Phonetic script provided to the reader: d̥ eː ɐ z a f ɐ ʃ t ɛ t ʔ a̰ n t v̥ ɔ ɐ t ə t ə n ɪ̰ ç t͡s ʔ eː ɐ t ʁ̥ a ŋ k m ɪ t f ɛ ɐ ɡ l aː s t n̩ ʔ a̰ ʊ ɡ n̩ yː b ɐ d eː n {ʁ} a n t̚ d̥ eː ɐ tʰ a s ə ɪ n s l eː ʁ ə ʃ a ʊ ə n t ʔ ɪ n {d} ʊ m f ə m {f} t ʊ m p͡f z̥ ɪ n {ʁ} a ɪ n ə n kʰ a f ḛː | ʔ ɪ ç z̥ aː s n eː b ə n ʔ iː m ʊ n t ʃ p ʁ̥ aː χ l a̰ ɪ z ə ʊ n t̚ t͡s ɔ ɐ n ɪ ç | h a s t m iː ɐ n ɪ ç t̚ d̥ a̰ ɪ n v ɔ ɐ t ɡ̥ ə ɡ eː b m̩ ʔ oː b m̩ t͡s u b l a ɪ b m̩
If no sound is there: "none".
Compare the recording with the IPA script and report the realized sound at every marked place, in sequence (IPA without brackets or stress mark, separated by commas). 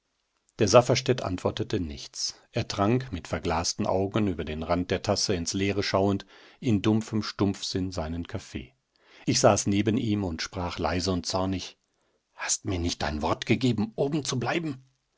ʁ, d, ʃ, z